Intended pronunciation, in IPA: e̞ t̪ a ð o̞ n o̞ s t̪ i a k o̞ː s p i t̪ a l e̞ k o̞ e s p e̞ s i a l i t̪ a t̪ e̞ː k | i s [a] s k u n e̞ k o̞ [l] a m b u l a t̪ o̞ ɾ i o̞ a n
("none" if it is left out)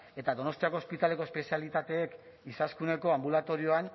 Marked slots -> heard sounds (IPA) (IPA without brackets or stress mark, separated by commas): a, none